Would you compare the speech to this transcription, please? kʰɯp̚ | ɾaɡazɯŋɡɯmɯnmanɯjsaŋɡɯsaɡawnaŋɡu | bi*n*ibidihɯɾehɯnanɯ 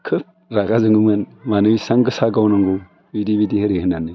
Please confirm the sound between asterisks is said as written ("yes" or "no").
no